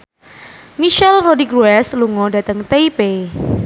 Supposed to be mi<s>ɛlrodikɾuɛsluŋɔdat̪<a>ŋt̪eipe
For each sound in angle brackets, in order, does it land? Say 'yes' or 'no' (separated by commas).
no, no